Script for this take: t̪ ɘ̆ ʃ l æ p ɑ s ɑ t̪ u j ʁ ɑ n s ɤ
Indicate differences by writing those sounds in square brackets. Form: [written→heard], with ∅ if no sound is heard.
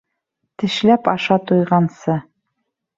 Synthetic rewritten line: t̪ ɘ̆ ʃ l æ p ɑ [s→ʃ] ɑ t̪ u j ʁ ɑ n s ɤ